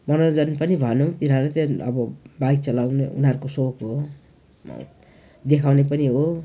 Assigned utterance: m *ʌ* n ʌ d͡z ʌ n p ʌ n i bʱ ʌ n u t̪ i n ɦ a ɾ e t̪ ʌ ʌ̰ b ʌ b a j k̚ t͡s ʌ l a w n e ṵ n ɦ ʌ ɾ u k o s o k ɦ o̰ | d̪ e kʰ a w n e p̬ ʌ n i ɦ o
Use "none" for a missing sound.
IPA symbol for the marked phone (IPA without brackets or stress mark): ʌ